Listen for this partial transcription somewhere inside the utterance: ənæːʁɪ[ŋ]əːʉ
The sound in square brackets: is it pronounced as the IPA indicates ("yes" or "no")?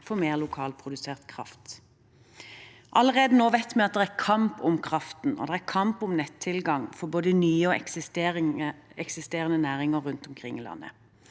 yes